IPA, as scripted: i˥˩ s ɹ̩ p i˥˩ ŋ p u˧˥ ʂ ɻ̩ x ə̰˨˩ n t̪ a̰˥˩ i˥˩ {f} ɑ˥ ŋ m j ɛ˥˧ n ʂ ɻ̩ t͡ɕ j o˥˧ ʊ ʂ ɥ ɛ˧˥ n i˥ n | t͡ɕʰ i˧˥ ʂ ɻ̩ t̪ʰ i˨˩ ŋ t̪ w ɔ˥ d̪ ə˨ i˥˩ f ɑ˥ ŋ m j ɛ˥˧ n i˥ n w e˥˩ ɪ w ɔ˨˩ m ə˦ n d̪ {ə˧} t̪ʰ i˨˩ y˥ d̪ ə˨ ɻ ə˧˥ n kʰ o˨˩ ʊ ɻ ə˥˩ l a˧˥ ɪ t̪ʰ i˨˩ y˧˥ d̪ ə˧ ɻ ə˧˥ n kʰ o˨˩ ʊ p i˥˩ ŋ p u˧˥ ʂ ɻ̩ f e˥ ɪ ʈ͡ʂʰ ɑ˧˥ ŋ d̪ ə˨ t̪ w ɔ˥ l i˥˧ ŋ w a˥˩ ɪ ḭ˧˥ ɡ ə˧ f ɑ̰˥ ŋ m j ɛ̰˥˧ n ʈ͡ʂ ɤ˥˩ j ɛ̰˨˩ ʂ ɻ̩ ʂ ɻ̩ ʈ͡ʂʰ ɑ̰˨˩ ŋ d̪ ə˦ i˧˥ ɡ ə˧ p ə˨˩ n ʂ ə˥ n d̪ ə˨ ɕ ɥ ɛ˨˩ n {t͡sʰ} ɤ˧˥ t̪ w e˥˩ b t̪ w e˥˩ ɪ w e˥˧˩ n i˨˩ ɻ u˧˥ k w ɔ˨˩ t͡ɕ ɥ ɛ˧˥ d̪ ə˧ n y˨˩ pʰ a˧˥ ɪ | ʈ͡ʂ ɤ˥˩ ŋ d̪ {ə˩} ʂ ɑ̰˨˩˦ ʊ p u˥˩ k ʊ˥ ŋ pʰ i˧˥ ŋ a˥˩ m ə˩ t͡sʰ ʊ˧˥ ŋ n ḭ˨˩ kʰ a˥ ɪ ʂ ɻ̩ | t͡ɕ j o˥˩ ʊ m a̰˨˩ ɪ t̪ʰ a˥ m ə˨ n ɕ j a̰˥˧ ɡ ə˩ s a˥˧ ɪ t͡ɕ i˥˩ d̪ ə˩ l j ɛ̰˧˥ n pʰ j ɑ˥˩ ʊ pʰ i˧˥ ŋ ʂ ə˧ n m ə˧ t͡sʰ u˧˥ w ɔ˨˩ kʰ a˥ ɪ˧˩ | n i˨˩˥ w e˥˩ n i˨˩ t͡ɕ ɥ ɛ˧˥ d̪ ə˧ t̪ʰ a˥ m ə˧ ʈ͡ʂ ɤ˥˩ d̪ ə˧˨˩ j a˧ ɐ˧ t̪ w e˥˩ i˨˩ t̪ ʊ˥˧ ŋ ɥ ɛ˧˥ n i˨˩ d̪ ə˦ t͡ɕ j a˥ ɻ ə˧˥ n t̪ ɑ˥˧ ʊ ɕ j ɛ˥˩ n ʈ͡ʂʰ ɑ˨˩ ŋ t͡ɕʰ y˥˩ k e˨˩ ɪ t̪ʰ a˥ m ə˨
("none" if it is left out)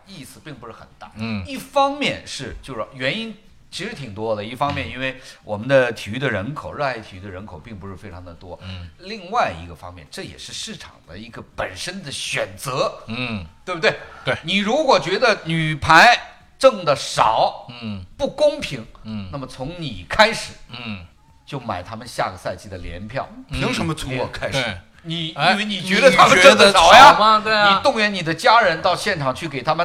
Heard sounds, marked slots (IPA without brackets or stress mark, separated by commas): f, ə˧, t͡s, ə˩